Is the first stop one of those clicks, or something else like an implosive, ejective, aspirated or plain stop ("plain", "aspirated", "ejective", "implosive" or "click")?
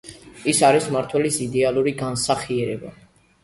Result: aspirated